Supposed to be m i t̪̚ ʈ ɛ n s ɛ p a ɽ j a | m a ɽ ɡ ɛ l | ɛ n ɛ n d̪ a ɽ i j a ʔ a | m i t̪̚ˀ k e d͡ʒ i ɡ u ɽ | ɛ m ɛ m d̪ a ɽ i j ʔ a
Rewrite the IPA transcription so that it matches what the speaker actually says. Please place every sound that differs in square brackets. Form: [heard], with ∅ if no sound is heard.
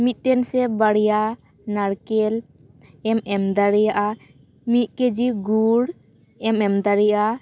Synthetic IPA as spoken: m i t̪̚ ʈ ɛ n s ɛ [b] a ɽ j a | [n] a ɽ [k] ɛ l | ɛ [m] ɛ [m] d̪ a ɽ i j a ʔ a | m i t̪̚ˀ k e d͡ʒ i ɡ u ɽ | ɛ m ɛ m d̪ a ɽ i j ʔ a